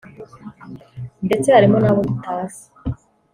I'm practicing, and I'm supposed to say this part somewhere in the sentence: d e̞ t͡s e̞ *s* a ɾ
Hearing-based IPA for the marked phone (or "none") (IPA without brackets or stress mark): h